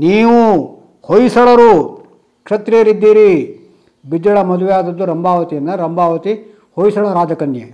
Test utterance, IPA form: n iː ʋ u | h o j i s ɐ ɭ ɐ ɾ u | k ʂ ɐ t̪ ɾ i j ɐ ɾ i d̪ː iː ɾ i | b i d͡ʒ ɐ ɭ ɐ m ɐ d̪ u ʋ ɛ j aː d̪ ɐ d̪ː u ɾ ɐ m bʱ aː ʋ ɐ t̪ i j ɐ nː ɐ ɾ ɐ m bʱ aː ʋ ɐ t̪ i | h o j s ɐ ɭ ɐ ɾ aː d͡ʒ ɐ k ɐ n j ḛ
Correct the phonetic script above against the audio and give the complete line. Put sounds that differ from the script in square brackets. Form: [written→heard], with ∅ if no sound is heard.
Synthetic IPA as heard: n iː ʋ u | h o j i s ɐ ɭ ɐ ɾ u | k ʂ ɐ t̪ ɾ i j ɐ ɾ i d̪ː iː ɾ i | b i d͡ʒ ɐ ɭ ɐ m ɐ d̪ u ʋ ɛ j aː d̪ ɐ d̪ː u ɾ ɐ m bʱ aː ʋ ɐ t̪ i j ɐ nː ɐ ɾ ɐ m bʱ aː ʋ ɐ t̪ i | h o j s ɐ ɭ ɐ ɾ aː d͡ʒ ɐ k ɐ n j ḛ